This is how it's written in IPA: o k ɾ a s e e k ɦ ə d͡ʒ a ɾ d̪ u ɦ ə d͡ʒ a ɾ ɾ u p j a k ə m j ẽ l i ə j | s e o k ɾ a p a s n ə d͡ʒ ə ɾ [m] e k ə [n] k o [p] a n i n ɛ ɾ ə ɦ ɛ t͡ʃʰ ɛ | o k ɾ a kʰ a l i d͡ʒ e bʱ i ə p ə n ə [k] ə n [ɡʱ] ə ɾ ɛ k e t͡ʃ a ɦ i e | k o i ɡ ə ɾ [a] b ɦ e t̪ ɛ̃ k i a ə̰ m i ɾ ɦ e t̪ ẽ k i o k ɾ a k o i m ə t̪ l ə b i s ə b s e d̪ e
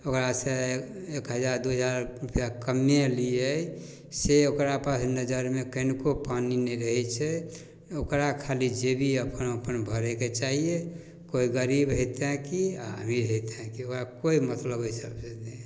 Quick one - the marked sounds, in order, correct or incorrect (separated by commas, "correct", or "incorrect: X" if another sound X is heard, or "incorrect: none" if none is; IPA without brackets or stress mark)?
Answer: correct, correct, correct, incorrect: p, incorrect: bʱ, incorrect: i